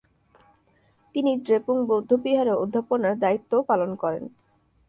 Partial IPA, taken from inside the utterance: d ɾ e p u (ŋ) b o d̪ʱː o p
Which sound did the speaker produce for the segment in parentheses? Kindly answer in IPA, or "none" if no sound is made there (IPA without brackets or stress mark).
ŋ